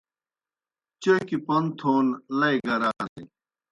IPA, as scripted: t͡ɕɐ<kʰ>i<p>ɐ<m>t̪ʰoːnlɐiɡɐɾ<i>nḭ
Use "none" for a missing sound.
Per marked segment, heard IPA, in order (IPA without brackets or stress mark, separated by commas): k, p, n, a